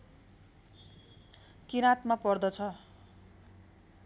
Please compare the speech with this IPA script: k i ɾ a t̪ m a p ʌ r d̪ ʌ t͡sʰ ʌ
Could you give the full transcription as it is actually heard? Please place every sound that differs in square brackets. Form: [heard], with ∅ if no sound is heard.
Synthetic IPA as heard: k i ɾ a t̪ m a p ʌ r d̪ ʌ t͡sʰ ʌ

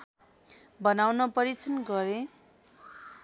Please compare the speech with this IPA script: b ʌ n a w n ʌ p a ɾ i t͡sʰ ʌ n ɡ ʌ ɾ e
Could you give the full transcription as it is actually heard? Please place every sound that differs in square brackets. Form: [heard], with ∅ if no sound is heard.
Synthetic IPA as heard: b ʌ n a w n ʌ p [ʌ] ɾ i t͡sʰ ʌ n ɡ ʌ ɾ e

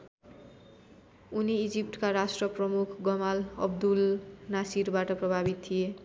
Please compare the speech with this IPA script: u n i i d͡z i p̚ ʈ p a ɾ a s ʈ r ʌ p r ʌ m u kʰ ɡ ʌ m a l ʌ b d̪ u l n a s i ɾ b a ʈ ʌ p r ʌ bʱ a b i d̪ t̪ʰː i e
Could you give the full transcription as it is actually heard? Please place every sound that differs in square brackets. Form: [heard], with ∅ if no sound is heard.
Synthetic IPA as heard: u n i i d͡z i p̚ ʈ [k] a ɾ a s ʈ r ʌ p r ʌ m u kʰ ɡ ʌ m a l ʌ b d̪ u l n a s i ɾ b a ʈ ʌ p r ʌ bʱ a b i [t̪] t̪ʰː i e

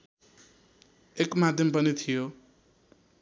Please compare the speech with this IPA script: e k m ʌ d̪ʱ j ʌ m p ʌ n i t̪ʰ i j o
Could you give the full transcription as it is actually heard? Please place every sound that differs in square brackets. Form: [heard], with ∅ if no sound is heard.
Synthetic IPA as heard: e k m [a] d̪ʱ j ʌ m p ʌ n i t̪ʰ i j o

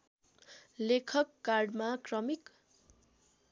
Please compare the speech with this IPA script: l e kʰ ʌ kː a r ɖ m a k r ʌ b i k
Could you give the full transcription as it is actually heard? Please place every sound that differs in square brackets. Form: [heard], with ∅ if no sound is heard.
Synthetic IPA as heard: l e kʰ ʌ kː a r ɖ m a k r ʌ [m] i k

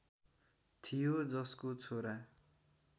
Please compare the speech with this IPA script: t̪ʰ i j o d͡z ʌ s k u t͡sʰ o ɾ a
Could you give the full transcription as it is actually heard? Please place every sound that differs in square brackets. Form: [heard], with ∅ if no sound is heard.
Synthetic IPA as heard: t̪ʰ i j o d͡z ʌ s k [o] t͡sʰ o ɾ a

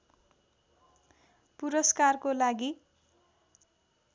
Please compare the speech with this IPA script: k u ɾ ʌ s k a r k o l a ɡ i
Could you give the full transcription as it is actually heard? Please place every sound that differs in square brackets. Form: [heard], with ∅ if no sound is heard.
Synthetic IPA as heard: [p] u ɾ ʌ s k a r k o l a ɡ i

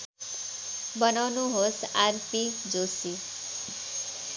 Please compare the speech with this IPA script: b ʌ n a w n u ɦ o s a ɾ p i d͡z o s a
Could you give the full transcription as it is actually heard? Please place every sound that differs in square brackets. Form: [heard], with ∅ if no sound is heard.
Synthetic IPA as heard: b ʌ n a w n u ɦ o s a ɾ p i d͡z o s [i]

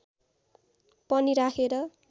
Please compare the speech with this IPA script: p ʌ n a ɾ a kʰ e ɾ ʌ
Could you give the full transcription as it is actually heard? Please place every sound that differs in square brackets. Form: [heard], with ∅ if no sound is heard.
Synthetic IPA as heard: p ʌ n [i] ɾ a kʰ e ɾ ʌ

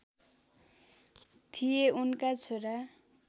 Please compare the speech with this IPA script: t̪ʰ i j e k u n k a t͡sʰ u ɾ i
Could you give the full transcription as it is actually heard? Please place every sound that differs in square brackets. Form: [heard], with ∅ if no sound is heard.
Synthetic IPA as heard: t̪ʰ i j e [∅] u n k a t͡sʰ [o] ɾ [a]

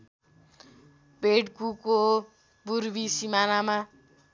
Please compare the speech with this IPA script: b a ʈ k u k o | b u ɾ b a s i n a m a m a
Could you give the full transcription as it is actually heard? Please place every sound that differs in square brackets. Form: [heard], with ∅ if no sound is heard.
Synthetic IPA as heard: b [e] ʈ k u k o | b u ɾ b [i] s i [m] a [n] a m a

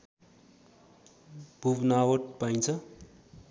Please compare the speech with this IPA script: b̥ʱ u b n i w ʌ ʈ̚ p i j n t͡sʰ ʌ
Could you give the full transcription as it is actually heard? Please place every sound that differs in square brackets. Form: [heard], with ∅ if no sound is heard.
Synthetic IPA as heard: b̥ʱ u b n [a] w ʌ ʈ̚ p [a] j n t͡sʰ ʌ

